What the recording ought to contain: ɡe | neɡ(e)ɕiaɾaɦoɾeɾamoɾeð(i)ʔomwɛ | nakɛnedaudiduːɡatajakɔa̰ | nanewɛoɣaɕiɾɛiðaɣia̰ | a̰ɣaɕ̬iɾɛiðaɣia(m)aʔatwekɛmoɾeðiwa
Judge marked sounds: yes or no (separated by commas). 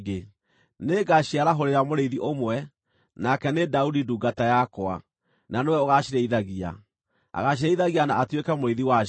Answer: no, yes, no